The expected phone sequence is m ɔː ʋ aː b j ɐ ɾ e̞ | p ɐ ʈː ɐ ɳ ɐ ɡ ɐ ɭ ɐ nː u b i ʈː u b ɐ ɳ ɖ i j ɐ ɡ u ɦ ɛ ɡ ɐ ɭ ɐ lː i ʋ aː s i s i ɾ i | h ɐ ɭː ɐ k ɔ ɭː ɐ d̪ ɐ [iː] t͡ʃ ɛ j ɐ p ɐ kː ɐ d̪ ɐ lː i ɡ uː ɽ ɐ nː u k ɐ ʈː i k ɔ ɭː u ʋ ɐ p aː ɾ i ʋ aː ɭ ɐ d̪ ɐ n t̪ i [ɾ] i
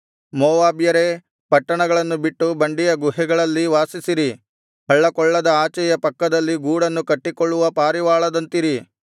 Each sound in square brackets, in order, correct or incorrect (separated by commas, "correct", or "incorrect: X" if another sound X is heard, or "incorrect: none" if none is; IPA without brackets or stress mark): incorrect: aː, correct